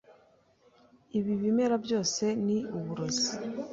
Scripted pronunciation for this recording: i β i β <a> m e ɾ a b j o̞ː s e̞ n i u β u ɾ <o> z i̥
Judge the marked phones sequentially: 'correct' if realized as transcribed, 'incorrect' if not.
incorrect: i, correct

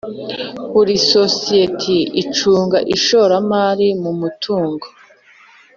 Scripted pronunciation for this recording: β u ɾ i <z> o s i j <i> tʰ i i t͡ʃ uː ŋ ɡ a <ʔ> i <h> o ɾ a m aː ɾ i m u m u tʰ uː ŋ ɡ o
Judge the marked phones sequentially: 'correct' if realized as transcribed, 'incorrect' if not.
incorrect: s, incorrect: e, correct, incorrect: ʃ

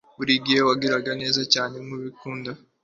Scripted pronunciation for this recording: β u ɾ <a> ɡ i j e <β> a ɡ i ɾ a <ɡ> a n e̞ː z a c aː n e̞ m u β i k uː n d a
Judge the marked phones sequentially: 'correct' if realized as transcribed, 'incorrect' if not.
incorrect: i, incorrect: w, correct

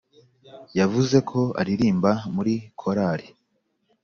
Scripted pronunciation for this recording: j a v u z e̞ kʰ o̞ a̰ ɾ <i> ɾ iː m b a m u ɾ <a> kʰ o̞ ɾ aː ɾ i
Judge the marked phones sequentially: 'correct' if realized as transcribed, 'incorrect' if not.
correct, incorrect: i

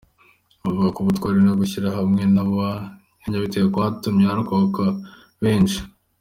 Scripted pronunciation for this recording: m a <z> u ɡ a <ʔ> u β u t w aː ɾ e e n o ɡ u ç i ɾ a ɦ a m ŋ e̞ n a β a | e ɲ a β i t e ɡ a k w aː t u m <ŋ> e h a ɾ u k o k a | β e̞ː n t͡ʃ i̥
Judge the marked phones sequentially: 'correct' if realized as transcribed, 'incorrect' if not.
incorrect: v, incorrect: k, incorrect: ɲ

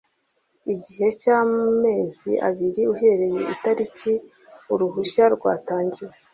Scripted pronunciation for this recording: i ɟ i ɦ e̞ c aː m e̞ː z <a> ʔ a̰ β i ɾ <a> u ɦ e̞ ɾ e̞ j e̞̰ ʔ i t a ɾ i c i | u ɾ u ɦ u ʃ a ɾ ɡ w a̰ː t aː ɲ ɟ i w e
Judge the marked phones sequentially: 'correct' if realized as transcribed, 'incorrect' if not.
incorrect: i, incorrect: i

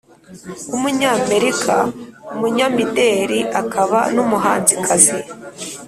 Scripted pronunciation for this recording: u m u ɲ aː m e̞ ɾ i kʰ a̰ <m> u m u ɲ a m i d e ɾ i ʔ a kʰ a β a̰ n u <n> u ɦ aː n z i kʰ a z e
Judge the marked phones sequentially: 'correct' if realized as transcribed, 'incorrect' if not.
incorrect: none, incorrect: m

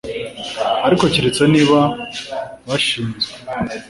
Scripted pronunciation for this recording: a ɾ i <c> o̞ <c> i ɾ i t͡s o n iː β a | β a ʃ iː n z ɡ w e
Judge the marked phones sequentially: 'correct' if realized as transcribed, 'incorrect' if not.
incorrect: k, correct

